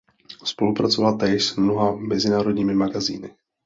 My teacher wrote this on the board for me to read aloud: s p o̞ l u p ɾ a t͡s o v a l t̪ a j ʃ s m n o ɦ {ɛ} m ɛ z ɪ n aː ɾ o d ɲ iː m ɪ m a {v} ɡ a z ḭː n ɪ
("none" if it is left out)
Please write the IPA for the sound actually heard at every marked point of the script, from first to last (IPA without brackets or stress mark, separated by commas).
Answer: a, none